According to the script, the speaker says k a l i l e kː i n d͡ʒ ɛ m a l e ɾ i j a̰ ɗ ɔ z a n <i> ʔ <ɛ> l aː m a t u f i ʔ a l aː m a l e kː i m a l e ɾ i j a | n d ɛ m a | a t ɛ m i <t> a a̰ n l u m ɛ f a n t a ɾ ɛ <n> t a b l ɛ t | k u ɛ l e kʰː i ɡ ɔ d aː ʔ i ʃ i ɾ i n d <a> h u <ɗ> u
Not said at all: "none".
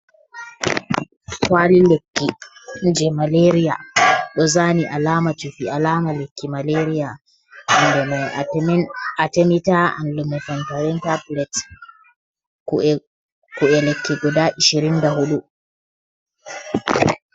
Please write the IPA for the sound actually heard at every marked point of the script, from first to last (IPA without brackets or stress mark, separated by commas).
i, a, t, n, a, ɗ